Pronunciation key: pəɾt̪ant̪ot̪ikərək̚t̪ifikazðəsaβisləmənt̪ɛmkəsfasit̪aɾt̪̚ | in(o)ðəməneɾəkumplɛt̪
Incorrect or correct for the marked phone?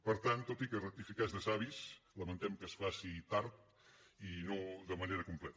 correct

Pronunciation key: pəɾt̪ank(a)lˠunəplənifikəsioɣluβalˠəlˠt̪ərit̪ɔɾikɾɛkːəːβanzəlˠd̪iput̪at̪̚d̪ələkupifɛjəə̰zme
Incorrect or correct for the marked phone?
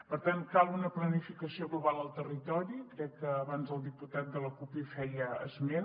correct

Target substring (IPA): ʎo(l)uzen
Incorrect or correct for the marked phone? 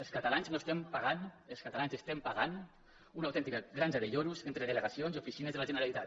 incorrect: ɾ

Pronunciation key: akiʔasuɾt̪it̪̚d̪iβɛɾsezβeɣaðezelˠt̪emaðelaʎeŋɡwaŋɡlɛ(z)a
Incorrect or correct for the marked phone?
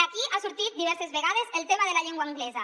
correct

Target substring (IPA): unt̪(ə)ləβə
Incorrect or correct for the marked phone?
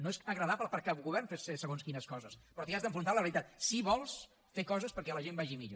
incorrect: a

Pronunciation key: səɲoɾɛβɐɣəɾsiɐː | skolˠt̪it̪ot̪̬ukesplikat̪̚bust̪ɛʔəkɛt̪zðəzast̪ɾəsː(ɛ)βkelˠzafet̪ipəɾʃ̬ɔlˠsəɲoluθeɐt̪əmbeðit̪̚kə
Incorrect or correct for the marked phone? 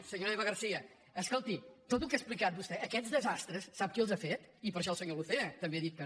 incorrect: a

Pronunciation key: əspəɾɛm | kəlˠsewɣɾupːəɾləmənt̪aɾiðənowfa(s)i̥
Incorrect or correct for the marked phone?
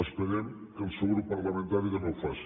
correct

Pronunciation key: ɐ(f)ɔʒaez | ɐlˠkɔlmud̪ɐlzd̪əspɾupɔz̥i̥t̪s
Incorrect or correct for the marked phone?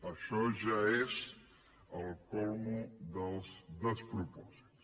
incorrect: ʃ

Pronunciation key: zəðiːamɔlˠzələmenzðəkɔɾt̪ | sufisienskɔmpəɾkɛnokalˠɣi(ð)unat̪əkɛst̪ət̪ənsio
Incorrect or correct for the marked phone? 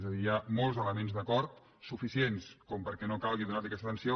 correct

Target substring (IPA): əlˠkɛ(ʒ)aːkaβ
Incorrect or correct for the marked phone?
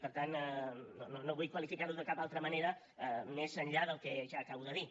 correct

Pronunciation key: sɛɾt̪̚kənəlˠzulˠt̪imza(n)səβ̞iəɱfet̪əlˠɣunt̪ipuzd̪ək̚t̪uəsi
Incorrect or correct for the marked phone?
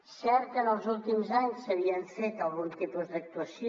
incorrect: ɲ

